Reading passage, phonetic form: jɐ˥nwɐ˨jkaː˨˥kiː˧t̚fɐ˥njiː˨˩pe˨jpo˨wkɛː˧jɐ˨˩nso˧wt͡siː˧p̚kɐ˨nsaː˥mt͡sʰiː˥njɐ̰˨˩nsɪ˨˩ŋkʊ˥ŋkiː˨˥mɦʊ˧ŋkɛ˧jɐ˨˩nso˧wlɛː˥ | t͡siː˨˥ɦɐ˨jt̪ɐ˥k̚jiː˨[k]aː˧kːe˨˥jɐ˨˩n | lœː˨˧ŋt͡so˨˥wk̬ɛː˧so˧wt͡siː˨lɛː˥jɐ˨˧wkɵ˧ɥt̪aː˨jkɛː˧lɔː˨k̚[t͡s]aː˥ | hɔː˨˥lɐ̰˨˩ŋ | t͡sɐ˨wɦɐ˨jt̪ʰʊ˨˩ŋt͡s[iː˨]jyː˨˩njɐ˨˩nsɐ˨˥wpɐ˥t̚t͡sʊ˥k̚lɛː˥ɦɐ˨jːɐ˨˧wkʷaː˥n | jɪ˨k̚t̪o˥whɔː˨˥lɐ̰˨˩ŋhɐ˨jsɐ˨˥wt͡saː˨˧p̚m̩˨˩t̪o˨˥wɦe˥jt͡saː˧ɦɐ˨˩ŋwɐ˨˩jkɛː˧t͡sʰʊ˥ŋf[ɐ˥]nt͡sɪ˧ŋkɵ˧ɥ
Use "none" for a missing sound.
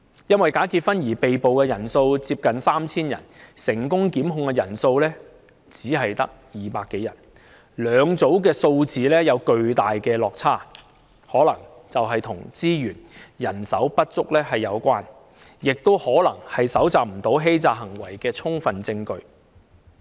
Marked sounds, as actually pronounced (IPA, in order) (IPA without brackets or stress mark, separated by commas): p, t͡sʰ, iː˥, ɐ˨